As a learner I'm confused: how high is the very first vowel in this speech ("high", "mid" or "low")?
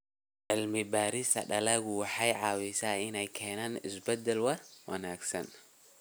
high